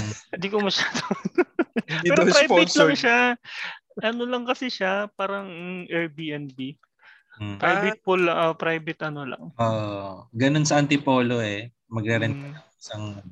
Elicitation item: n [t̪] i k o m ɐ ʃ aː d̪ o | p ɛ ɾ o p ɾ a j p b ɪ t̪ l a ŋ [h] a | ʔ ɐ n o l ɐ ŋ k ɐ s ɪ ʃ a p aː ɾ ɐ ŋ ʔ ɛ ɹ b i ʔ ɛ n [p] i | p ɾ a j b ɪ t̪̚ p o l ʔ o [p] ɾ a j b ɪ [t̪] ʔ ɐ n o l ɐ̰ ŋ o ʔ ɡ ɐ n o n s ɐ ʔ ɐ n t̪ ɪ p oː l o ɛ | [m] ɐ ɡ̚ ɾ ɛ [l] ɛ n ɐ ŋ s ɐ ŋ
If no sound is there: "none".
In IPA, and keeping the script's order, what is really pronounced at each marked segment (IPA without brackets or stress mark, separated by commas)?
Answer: d̪, ʃ, b, p, t̪, m, ɾ